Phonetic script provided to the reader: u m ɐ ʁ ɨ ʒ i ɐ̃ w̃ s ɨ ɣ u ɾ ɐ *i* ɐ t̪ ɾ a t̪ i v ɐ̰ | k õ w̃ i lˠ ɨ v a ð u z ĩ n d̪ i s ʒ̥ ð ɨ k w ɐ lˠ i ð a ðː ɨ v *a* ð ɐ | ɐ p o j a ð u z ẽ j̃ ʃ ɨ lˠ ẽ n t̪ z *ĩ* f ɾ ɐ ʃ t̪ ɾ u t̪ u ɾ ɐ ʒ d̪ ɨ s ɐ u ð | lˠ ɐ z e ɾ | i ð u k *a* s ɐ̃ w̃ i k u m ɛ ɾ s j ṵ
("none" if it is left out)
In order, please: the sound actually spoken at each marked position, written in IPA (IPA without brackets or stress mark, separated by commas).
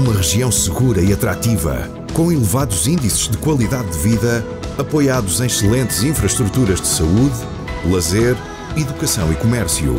i, i, ĩ, ɐ